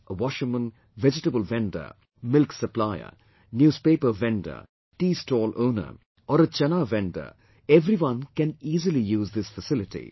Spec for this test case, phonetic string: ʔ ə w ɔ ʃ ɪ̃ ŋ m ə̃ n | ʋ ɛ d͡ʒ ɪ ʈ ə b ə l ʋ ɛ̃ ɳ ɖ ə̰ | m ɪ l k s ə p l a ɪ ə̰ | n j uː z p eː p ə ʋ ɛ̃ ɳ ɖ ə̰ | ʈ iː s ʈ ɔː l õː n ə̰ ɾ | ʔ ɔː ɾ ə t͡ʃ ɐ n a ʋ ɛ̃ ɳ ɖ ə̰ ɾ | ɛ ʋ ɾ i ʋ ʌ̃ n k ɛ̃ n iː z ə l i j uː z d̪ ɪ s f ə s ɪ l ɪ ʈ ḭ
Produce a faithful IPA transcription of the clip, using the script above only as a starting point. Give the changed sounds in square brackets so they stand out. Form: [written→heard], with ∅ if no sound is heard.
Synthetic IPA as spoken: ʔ ə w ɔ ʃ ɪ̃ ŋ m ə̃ n | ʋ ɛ d͡ʒ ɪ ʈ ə b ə l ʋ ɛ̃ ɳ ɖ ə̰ | m ɪ l k s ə p l a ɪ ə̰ | n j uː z p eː p ə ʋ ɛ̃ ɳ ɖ ə̰ | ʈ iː s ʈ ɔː l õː n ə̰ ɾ | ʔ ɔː ɾ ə t͡ʃ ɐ n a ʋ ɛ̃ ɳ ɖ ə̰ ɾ | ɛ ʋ ɾ i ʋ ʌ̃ n k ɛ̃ n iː z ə l i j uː z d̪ ɪ s f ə s ɪ l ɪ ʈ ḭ

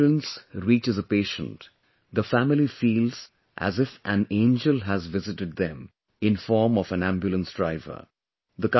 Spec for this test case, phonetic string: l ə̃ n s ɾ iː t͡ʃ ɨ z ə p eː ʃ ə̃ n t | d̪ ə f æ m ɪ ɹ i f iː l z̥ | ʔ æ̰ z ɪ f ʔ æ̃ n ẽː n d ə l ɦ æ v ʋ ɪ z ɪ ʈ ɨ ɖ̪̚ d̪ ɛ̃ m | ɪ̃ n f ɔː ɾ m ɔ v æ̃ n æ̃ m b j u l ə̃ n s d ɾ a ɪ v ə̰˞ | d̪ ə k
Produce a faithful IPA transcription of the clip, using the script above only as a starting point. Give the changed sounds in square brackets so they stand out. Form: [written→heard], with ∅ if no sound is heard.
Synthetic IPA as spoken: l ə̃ n s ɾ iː t͡ʃ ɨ z ə p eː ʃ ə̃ n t | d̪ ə f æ m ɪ [ɹ→l] i f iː l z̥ | ʔ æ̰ z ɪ f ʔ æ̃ n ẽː n [d→d͡ʒ] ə l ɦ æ [v→z] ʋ ɪ z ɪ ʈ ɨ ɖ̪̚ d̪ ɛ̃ m | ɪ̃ n f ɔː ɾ m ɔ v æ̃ n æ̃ m b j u l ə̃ n s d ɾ a ɪ v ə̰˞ | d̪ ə k

